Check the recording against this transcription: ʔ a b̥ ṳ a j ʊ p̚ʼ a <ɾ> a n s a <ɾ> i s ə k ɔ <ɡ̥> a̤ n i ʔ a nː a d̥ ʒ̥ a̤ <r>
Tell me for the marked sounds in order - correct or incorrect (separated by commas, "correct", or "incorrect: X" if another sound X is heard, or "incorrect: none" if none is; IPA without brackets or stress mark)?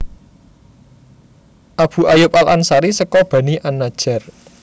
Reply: incorrect: l, correct, incorrect: b̥, correct